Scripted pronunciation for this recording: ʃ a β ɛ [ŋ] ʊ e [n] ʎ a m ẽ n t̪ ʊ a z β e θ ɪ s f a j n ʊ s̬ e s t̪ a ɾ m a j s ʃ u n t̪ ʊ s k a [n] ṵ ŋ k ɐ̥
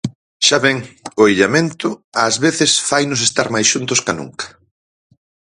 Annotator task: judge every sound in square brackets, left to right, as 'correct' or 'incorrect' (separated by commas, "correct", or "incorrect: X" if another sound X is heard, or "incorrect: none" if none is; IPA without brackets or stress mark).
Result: correct, incorrect: none, correct